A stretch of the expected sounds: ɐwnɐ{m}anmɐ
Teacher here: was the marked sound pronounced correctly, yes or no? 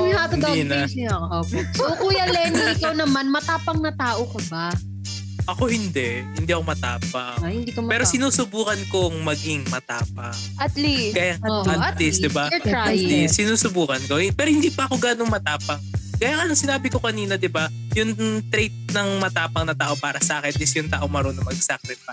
yes